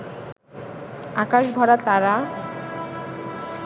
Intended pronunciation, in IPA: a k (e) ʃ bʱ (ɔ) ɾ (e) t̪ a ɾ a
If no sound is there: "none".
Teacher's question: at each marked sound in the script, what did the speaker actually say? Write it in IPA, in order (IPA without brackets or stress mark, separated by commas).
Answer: a, ɔ, a